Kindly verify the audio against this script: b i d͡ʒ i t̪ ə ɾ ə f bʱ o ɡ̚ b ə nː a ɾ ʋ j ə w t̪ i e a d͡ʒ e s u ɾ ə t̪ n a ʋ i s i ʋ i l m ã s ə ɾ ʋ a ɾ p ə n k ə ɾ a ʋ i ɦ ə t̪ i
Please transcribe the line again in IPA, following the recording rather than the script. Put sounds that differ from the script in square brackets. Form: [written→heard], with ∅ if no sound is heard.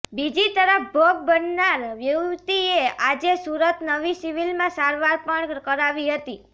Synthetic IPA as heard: b i d͡ʒ i t̪ ə ɾ ə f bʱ o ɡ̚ b ə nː a ɾ ʋ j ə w t̪ i e a d͡ʒ e s u ɾ ə t̪ n [a→ə] ʋ i s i ʋ i l m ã s [ə→a] ɾ ʋ a ɾ p ə [n→ɳ] k ə ɾ a ʋ i ɦ ə t̪ i